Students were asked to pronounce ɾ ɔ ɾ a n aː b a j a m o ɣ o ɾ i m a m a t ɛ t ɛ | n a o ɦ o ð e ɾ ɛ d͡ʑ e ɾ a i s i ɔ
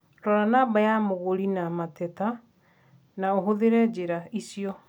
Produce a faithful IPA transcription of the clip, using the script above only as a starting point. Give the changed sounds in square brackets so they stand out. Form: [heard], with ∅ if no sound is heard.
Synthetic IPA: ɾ ɔ ɾ a n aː b a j a m o ɣ o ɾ i [n] a m a t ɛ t [a] | n a o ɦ o ð e ɾ ɛ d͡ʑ e ɾ a i s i ɔ